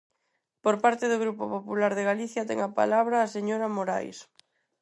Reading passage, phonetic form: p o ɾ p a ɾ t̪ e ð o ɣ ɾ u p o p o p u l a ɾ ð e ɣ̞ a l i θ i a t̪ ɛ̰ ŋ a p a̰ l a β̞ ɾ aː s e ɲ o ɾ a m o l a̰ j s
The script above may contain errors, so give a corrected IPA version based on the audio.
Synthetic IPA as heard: p o ɾ p a ɾ t̪ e ð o ɣ ɾ u p o p o p u l a ɾ ð e ɣ̞ a l i θ j a t̪ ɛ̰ ŋ a p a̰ l a β̞ ɾ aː s e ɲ o ɾ a m o ɾ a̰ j s